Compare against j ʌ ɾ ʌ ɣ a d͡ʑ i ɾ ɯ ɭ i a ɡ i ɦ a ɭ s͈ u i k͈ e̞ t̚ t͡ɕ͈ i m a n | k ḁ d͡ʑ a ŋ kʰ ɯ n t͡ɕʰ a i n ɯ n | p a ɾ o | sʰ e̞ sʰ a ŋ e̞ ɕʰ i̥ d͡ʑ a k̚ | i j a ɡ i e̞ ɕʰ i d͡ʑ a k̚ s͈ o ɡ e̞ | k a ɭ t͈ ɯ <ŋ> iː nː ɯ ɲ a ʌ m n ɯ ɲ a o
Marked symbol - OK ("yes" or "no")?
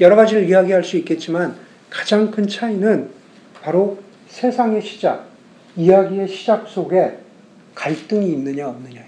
yes